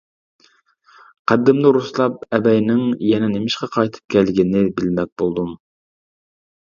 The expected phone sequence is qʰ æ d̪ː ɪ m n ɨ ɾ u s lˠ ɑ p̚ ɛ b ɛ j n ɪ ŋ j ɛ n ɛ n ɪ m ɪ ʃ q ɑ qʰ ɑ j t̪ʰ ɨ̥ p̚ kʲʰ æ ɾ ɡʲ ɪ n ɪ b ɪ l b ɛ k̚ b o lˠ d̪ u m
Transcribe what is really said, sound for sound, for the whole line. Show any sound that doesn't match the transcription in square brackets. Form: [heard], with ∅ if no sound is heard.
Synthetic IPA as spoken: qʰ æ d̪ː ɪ m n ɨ ɾ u s lˠ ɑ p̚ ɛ b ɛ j n ɪ ŋ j ɛ n ɛ n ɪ m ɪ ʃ q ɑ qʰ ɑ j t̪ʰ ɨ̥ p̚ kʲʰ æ [l] ɡʲ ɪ n ɪ b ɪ l [m] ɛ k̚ b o lˠ d̪ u m